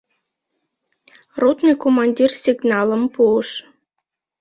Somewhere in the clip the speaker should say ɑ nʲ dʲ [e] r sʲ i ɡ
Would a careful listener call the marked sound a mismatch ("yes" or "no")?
yes